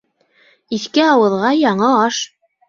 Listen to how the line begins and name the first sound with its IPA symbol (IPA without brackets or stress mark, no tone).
i